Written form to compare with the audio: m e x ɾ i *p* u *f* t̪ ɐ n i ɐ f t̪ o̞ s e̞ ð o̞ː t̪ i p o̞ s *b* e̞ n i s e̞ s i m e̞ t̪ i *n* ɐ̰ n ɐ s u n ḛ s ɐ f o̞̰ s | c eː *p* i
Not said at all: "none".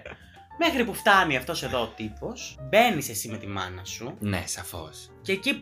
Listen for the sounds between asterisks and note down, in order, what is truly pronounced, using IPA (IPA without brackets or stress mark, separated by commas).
p, f, b, m, c